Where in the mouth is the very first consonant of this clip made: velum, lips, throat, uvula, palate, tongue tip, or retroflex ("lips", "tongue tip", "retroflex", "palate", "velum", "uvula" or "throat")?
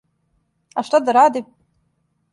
throat